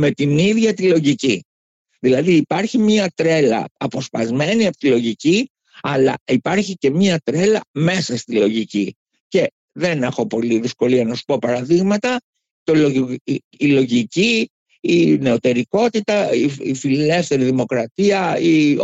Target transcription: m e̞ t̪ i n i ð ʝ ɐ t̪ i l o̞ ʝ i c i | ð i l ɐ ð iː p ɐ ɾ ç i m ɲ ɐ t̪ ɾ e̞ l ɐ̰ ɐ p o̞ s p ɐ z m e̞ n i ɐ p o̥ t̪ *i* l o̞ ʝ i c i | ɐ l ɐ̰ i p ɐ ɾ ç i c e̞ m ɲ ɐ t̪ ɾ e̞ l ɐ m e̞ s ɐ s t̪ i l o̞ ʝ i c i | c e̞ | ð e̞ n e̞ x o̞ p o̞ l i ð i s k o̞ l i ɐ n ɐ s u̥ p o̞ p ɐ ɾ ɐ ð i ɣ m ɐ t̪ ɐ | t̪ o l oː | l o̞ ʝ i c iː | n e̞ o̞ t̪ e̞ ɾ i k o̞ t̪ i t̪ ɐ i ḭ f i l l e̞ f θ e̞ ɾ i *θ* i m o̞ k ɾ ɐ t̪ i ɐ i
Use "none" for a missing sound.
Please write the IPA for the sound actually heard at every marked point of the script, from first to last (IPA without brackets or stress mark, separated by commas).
i, ð